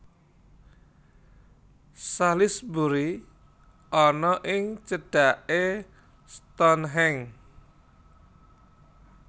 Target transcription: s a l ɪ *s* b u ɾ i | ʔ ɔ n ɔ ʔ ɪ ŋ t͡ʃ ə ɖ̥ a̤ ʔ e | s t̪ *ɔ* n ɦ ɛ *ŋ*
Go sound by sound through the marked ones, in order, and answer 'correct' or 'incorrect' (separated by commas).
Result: correct, correct, correct